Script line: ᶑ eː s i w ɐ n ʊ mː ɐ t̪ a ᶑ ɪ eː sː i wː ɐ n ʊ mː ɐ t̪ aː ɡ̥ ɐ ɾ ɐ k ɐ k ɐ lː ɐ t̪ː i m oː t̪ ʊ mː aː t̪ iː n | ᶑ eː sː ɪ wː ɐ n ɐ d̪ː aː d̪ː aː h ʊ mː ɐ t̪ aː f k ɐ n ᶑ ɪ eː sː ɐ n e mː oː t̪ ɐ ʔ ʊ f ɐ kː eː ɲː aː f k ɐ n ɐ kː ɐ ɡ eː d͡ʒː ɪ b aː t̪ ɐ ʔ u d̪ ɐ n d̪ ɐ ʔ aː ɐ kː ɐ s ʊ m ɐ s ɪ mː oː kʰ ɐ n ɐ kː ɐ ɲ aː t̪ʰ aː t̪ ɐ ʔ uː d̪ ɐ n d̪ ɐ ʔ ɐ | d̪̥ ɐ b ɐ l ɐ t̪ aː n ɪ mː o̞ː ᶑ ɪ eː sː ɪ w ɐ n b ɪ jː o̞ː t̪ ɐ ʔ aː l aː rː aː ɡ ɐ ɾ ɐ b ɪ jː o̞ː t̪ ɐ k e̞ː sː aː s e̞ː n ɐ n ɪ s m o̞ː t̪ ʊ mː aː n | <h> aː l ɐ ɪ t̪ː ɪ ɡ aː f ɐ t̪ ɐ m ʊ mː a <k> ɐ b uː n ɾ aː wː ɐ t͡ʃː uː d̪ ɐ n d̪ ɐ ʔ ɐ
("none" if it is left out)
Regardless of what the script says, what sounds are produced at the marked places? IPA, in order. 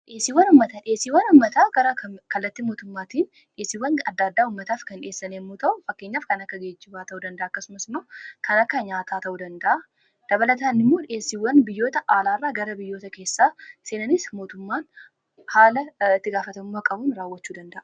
h, kʼ

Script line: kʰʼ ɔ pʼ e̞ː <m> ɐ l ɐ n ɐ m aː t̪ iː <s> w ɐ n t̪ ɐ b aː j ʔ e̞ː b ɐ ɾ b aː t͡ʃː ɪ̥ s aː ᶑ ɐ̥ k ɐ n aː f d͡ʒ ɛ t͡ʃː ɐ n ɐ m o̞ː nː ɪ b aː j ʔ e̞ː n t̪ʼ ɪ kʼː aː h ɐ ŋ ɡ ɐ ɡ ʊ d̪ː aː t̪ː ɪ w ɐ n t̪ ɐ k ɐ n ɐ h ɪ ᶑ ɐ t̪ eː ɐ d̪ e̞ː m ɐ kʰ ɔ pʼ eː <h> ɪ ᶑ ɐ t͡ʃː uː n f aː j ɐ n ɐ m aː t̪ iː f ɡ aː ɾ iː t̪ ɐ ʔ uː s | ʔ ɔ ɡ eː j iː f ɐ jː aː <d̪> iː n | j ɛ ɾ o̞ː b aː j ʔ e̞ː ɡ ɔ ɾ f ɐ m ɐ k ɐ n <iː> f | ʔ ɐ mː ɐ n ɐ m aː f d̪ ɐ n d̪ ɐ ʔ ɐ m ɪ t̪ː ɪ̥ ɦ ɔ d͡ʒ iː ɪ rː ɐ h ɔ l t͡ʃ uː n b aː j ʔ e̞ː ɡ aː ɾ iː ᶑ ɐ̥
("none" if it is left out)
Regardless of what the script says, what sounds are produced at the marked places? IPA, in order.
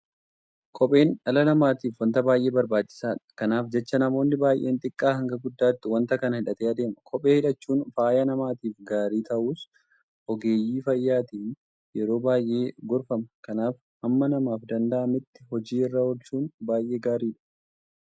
n, f, h, t̪, aː

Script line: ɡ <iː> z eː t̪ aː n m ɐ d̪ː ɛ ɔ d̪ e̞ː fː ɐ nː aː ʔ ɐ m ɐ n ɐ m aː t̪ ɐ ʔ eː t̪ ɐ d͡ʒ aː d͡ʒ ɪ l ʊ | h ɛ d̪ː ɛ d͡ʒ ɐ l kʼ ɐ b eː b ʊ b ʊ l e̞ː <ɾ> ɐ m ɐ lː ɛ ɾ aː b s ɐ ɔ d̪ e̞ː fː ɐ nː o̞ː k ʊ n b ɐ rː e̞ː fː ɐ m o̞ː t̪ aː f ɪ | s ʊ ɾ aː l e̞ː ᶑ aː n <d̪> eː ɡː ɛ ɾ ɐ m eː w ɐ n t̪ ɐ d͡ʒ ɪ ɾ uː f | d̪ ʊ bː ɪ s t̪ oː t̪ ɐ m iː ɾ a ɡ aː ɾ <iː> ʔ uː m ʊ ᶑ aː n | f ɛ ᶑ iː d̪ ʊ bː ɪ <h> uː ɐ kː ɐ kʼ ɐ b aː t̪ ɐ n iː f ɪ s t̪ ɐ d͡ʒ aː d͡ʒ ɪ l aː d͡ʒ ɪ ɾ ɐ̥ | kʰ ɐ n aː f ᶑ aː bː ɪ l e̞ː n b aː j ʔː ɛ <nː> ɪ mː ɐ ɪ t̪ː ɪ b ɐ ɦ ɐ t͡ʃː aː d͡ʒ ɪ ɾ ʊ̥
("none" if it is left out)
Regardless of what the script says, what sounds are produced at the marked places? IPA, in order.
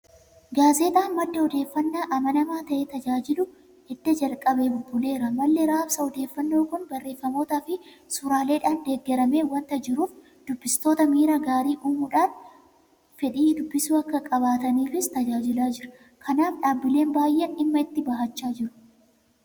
aː, ɾ, d̪, iː, s, n

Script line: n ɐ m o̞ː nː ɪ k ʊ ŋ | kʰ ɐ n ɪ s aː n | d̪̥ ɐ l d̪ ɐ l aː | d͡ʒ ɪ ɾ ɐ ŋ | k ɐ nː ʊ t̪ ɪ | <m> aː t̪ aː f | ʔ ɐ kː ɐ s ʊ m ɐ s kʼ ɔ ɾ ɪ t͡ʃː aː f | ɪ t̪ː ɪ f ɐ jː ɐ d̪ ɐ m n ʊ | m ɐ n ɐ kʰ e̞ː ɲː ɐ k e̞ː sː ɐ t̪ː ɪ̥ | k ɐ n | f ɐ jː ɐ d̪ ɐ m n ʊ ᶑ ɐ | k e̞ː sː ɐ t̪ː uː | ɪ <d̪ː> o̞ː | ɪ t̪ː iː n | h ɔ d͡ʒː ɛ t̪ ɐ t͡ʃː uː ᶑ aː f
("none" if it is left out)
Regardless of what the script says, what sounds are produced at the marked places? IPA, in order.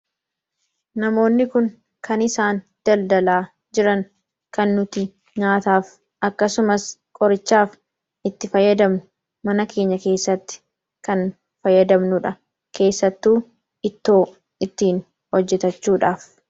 ɲ, t̪ː

